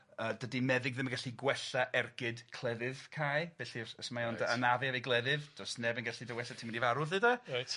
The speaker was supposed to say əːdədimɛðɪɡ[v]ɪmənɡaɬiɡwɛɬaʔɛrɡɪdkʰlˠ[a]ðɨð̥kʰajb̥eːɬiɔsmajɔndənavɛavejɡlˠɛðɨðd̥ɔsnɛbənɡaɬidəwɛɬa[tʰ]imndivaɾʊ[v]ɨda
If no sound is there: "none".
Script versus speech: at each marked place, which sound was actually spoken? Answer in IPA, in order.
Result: ð, ɛ, tʰ, ð

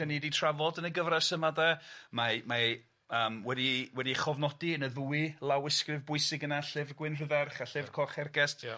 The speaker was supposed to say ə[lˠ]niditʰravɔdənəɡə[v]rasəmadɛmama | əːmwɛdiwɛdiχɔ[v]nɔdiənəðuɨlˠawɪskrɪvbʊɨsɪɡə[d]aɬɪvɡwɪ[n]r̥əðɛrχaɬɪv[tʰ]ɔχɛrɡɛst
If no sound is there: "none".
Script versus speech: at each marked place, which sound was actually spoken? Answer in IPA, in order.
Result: none, v, v, n, n, kʰ

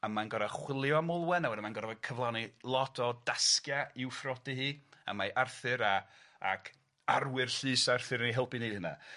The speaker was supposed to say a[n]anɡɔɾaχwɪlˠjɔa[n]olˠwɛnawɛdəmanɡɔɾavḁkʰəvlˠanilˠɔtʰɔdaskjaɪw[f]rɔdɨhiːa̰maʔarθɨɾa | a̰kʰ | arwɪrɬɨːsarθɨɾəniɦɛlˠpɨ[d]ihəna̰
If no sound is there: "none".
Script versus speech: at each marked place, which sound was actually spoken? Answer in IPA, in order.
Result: m, m, f, n

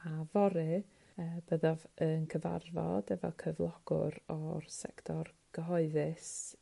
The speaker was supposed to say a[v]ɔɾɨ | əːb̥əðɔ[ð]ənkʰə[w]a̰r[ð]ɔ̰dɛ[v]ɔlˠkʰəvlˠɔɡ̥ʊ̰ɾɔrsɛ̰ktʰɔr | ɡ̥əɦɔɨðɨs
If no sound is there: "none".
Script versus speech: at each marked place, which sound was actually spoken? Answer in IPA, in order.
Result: v, v, v, v, v

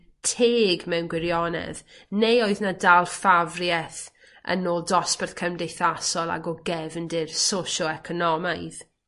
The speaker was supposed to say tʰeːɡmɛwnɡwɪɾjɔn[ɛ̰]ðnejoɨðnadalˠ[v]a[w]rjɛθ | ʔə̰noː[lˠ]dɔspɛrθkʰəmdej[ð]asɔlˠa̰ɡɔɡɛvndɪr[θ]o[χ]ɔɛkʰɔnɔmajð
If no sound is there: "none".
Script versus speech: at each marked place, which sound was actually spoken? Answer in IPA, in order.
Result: ɛ̰, f, v, lˠ, θ, s, ʃ

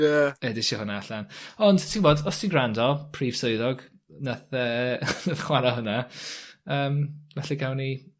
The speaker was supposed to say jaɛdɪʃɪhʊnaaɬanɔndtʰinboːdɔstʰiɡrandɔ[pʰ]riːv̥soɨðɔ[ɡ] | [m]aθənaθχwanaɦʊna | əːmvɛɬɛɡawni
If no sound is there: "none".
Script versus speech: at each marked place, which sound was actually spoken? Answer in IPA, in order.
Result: pʰ, ɡ, n

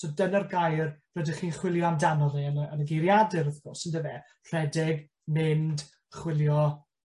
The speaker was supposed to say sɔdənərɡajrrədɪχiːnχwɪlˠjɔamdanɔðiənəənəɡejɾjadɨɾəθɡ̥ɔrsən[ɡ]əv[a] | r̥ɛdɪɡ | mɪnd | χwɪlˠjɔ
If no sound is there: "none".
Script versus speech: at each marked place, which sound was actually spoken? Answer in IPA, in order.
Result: d, ɛ

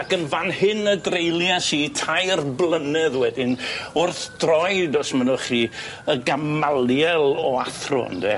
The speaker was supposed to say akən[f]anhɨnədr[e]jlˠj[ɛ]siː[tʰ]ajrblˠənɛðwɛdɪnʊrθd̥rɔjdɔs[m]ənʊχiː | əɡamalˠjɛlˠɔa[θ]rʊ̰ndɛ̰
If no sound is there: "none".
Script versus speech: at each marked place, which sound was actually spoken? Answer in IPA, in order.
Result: v, e, a, tʰ, m, θ

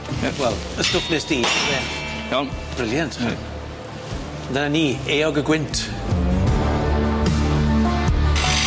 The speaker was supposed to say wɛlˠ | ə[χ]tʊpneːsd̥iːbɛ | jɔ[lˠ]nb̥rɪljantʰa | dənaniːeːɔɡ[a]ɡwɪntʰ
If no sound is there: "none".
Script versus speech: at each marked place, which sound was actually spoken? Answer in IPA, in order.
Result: s, none, ə

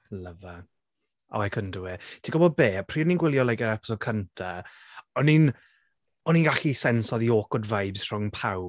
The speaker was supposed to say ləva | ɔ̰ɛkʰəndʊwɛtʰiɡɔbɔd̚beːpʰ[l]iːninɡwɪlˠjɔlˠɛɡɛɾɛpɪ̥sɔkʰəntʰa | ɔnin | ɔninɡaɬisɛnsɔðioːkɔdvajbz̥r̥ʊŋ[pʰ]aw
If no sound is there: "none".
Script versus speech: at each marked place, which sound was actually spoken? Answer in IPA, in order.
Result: r, pʰ

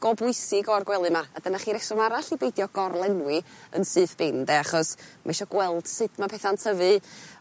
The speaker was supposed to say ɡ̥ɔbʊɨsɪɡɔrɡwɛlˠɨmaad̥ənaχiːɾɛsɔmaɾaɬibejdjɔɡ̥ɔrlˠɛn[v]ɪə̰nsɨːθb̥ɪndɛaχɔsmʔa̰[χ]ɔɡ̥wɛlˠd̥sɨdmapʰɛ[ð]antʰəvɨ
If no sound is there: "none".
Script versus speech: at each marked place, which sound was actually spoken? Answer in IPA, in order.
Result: w, ʃ, θ

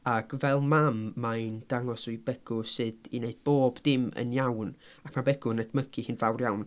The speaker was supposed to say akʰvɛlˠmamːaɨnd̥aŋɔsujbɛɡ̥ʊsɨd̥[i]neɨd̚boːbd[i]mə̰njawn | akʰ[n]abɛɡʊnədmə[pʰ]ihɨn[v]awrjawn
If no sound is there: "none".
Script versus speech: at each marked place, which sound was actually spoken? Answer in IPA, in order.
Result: i, ɪ, m, kʰ, v

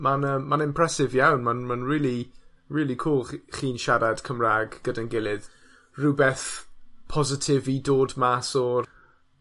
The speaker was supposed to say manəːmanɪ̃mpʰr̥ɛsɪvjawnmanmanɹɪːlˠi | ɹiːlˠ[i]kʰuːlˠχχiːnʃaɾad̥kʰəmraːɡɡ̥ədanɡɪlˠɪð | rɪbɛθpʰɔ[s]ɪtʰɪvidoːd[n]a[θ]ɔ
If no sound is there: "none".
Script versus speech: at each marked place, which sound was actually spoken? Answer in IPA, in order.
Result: i, z, m, s

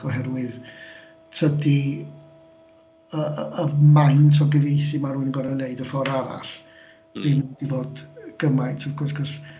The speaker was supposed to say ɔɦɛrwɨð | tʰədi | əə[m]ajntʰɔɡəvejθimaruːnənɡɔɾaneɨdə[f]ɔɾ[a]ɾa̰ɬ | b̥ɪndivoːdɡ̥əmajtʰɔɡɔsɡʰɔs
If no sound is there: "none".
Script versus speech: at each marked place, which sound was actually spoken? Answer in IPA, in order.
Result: m, f, a

